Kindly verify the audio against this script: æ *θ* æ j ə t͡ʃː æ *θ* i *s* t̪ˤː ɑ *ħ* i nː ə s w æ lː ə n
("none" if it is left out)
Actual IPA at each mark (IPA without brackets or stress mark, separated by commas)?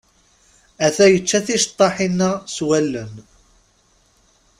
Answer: θ, θ, ʃ, ħ